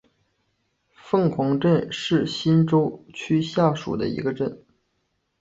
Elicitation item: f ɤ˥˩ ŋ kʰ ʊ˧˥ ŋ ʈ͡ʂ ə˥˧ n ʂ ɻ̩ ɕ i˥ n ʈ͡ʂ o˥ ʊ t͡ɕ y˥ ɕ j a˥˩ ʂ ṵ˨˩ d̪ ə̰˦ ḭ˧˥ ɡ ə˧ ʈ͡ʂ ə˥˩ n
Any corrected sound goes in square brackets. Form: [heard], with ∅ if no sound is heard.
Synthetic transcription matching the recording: f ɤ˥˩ ŋ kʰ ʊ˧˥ ŋ ʈ͡ʂ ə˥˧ n ʂ ɻ̩ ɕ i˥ n ʈ͡ʂ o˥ ʊ [t͡ɕʰ] y˥ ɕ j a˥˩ ʂ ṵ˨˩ d̪ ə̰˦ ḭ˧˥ ɡ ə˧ ʈ͡ʂ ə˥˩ n

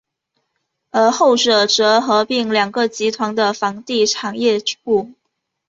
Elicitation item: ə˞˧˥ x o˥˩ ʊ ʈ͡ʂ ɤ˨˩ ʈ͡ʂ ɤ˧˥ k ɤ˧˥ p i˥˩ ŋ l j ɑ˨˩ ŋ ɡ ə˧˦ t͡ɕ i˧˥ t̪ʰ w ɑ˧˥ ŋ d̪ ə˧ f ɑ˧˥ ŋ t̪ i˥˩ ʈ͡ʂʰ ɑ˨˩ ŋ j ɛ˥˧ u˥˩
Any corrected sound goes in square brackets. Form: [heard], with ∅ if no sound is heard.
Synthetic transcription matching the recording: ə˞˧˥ x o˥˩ ʊ ʈ͡ʂ ɤ˨˩ ʈ͡ʂ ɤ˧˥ [x] ɤ˧˥ p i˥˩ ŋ l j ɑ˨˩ ŋ ɡ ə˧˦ t͡ɕ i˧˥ t̪ʰ w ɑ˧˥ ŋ d̪ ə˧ f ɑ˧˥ ŋ t̪ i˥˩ ʈ͡ʂʰ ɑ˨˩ ŋ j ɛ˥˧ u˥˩

